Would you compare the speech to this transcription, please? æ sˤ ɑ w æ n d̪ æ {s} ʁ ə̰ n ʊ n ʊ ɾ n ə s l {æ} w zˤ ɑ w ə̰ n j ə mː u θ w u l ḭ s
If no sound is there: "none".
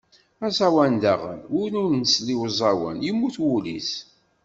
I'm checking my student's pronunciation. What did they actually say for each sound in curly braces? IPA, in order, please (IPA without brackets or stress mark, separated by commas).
none, i